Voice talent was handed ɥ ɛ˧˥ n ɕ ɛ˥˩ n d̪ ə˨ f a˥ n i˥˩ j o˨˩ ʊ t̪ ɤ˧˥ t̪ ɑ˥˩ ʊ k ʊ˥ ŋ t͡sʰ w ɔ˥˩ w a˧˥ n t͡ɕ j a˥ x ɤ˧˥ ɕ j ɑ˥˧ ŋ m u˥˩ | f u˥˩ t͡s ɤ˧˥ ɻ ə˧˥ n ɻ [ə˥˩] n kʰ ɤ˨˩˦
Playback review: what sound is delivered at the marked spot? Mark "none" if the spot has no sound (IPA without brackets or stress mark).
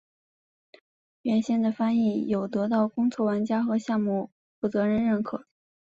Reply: ə˥˩